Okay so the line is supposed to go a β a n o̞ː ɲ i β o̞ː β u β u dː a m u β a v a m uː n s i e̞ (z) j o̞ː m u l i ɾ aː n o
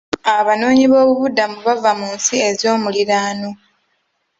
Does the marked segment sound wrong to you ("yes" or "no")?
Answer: no